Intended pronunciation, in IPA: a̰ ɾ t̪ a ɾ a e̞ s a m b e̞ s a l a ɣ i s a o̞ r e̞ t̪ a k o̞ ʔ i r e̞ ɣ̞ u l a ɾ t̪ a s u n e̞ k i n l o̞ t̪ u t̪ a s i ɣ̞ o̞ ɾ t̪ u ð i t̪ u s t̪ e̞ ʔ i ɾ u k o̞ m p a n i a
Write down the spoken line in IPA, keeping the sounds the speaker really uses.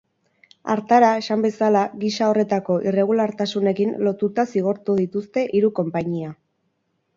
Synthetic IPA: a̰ ɾ t̪ a ɾ a e̞ s a m b e̞ s a l a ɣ i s a o̞ r e̞ t̪ a k o̞ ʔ i r e̞ ɣ̞ u l a ɾ t̪ a s u n e̞ k i n l o̞ t̪ u t̪ a s i ɣ̞ o̞ ɾ t̪ u ð i t̪ u s t̪ e̞ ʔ i ɾ u k o̞ m p a ɲ i a